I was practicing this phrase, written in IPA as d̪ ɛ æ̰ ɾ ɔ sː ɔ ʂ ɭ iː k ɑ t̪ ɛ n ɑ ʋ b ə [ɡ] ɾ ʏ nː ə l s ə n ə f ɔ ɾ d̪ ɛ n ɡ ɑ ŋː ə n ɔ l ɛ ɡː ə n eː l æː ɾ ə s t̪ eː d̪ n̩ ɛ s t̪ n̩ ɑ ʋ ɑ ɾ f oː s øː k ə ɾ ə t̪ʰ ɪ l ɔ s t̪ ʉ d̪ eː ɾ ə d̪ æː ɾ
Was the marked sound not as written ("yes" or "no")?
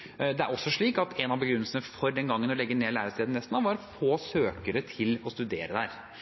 no